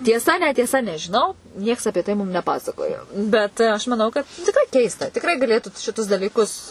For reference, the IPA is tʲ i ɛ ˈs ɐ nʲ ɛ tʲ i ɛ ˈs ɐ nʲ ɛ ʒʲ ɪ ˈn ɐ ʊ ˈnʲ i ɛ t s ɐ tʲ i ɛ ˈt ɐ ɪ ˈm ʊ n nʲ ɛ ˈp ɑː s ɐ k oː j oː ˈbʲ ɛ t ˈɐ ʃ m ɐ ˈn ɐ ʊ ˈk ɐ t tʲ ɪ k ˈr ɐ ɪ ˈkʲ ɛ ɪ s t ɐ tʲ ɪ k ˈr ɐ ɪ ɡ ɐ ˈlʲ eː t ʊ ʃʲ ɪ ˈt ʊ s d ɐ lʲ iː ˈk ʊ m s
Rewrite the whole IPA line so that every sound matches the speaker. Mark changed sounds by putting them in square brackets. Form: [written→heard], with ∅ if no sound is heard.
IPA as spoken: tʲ i ɛ ˈs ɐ nʲ ɛ tʲ i ɛ ˈs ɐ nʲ ɛ ʒʲ ɪ ˈn ɐ ʊ ˈnʲ i ɛ [t→k] s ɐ [tʲ→pʲ] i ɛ ˈt ɐ ɪ ˈm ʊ [n→m] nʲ ɛ ˈp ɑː s ɐ k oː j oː ˈbʲ ɛ t ˈɐ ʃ m ɐ ˈn ɐ ʊ ˈk ɐ t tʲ ɪ k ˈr ɐ ɪ ˈkʲ ɛ ɪ s t ɐ tʲ ɪ k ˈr ɐ ɪ ɡ ɐ ˈlʲ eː t ʊ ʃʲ ɪ ˈt ʊ s d ɐ lʲ iː ˈk ʊ [m→∅] s